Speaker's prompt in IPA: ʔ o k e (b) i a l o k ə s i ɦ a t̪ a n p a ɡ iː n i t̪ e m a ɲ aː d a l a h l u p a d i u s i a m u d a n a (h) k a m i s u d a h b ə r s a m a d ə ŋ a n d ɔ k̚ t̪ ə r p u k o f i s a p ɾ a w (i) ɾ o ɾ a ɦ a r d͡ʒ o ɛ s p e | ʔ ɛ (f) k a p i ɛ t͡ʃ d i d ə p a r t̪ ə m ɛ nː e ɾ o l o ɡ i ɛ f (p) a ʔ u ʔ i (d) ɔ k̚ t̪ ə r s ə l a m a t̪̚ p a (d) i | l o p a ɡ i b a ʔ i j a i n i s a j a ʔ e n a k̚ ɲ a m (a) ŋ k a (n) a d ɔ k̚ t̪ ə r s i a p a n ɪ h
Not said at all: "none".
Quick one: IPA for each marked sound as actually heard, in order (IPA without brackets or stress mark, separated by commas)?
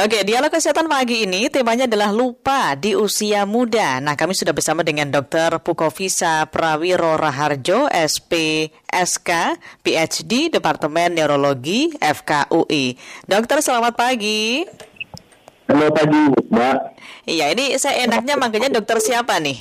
d, h, i, s, k, d, ɡ, a, ɲ